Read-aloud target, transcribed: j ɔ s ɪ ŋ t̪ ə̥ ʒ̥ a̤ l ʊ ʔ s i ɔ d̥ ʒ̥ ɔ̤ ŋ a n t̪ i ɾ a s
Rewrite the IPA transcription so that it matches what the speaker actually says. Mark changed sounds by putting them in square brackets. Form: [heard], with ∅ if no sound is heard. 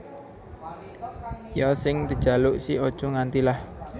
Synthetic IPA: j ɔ s ɪ ŋ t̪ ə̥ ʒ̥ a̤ l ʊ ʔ s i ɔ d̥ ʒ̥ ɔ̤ ŋ a n t̪ i [l] a [h]